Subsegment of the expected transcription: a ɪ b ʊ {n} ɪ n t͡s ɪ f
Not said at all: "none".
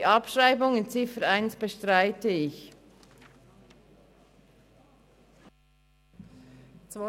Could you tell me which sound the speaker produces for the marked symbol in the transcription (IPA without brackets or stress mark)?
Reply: ŋ